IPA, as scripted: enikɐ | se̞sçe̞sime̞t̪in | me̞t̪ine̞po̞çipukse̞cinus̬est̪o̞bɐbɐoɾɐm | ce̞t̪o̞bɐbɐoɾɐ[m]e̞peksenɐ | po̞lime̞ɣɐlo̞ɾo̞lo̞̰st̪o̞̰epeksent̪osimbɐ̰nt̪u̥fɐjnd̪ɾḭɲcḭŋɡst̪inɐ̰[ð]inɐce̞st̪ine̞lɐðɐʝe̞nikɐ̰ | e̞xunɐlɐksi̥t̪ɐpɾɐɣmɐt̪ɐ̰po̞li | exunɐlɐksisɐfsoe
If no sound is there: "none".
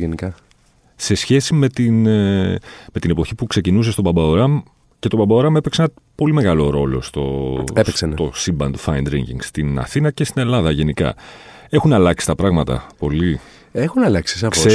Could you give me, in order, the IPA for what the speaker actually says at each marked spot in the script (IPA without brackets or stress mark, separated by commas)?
m, θ